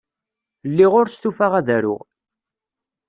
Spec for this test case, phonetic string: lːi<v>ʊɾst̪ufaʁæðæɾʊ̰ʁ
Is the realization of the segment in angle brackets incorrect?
yes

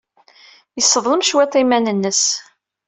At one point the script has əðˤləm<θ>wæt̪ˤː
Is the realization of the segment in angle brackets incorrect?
yes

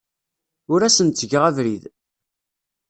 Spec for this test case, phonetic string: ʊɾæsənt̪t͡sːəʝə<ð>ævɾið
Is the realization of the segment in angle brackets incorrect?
yes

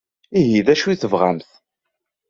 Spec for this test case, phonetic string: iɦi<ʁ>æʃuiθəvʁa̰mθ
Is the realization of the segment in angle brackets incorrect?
yes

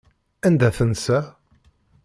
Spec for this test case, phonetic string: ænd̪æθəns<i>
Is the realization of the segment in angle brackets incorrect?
yes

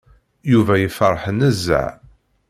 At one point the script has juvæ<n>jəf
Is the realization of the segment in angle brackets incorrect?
yes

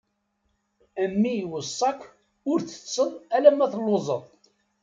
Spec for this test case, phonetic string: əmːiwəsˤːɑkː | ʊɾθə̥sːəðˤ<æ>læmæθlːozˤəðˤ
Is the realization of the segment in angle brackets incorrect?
no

